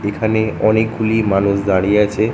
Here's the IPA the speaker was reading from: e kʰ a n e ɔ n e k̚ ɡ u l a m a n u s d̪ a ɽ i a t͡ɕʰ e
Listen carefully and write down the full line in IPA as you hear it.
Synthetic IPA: e kʰ a n e ɔ n e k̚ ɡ u l i m a n u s d̪ a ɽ i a t͡ɕʰ e